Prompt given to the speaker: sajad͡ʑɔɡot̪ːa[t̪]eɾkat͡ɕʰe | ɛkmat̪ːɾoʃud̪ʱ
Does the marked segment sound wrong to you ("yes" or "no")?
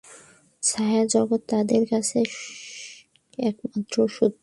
yes